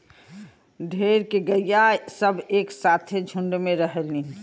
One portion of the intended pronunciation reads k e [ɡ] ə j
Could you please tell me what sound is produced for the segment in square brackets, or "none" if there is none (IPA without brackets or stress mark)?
ɡ